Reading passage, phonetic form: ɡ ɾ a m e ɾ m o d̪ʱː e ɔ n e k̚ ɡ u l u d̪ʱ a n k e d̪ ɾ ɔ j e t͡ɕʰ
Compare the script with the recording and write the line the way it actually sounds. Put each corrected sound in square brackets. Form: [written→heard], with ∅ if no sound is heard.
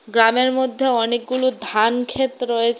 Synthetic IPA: ɡ ɾ a m e ɾ m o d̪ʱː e ɔ n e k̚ ɡ u l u d̪ʱ a n [k→kʰ] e [d̪→t̪] ɾ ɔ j e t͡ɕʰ